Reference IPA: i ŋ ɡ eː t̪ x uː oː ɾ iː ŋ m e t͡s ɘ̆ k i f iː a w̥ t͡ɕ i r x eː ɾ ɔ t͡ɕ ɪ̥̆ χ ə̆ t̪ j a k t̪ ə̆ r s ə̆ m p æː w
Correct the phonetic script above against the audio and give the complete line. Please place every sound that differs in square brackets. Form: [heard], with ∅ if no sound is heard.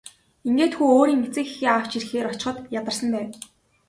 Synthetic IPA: i ŋ ɡ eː t̪ x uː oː ɾ iː ŋ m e t͡s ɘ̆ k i [x] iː a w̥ t͡ɕ i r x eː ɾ ɔ t͡ɕ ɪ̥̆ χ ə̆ t̪ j a [∅] t̪ ə̆ r s ə̆ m p æː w